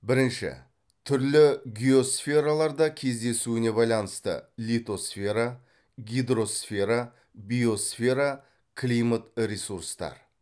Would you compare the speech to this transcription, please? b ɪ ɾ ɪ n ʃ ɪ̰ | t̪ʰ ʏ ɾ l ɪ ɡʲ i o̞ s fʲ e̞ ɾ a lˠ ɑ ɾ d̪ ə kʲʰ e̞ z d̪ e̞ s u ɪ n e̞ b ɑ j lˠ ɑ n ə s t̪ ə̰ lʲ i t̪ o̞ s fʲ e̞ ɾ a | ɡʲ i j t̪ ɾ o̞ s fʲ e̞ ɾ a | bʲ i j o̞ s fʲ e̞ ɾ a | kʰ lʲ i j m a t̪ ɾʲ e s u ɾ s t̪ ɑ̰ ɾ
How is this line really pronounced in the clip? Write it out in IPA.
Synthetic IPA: b ɪ ɾ ɪ n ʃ ɪ̰ | t̪ʰ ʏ ɾ l ɪ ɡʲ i o̞ s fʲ e̞ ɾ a lˠ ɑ ɾ d̪ ɑ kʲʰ e̞ z d̪ e̞ s u ɪ n e̞ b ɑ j lˠ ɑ n ə s t̪ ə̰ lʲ i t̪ o̞ s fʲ e̞ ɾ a | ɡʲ i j d̪ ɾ o̞ s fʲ e̞ ɾ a | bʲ i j o̞ s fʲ e̞ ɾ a | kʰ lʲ i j m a t̪ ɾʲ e s u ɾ s t̪ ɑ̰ ɾ